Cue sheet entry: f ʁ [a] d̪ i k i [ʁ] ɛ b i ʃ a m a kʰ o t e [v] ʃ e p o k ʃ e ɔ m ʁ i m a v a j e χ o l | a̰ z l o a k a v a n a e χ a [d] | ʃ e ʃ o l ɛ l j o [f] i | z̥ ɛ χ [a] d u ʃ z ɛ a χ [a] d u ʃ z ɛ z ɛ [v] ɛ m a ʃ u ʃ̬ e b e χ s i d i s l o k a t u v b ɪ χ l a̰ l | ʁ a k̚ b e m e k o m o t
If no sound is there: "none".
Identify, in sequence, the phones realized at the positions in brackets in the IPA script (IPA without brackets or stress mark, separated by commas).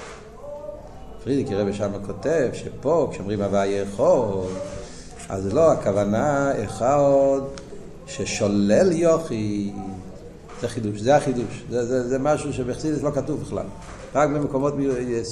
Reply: i, ʁ, v, d, χ, i, i, z